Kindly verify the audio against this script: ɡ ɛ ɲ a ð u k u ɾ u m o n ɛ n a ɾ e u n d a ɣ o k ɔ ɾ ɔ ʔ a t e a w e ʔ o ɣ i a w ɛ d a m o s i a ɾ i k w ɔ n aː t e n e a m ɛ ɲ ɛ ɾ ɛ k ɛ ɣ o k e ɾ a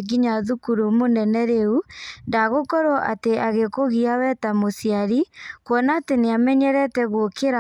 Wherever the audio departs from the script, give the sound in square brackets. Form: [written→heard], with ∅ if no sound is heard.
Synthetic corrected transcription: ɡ [ɛ→i] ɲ a ð u k u ɾ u m o n ɛ n [a→ɛ] ɾ e u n d a ɣ o k ɔ ɾ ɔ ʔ a t e a [w→ɣ] e [ʔ→k] o ɣ i a w ɛ [d→t] a m o s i a ɾ i k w ɔ n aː t e n e a m ɛ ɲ ɛ ɾ ɛ [k→t] ɛ ɣ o k e ɾ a